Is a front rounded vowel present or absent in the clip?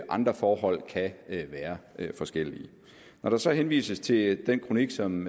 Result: absent